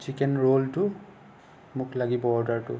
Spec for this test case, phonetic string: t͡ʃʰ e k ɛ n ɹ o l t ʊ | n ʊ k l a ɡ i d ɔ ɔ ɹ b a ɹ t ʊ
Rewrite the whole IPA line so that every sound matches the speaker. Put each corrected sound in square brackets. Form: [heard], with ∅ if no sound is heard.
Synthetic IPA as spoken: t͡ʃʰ [i] k ɛ n ɹ o l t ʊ | [m] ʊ k l a ɡ i [b] ɔ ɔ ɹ [d] a ɹ t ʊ